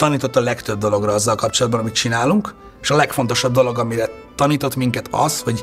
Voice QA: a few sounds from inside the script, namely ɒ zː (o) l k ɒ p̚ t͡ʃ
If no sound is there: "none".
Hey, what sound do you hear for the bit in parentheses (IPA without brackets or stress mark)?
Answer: ɒ